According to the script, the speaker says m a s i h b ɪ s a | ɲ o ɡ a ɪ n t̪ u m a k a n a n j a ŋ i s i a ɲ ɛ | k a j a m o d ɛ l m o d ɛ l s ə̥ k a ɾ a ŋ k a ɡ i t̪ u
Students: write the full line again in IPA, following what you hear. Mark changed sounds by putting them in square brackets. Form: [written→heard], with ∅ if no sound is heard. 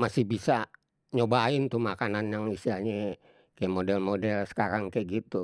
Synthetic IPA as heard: m a s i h b [ɪ→i] s a | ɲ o [ɡ→b] a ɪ n t̪ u m a k a n a n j a ŋ i s i a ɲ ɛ | k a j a m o d ɛ l m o d ɛ l s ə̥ k a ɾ a ŋ k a ɡ i t̪ u